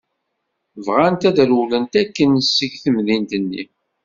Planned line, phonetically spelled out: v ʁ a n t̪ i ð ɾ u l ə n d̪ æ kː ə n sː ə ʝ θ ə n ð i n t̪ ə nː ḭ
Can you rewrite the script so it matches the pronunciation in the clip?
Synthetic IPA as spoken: v ʁ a n t̪ æ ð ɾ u l ə n t̪ æ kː ə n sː ə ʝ θ ə m ð i n t̪ ə nː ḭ